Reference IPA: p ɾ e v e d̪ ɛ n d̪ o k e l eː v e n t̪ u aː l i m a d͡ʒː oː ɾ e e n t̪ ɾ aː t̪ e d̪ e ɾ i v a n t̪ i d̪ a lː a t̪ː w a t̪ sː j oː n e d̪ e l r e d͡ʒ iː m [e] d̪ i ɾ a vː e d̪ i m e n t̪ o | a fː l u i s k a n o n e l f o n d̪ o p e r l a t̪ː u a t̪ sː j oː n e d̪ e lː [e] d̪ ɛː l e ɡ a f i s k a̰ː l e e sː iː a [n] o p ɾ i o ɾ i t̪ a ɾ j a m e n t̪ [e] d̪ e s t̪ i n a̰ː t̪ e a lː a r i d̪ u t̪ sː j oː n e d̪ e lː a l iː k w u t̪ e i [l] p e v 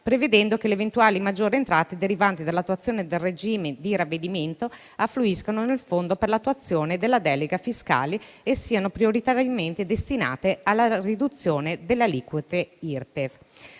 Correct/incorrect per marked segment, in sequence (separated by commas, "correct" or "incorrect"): correct, incorrect, correct, correct, incorrect